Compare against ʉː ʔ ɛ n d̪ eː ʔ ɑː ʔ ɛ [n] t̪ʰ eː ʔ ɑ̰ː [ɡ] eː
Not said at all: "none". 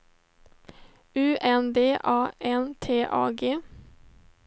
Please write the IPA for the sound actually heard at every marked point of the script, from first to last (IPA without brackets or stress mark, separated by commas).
n, ɡ